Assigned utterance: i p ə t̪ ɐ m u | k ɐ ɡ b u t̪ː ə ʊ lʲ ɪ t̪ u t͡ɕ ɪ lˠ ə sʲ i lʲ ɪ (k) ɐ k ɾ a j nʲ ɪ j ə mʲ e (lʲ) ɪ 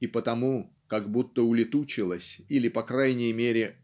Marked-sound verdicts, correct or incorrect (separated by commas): incorrect, incorrect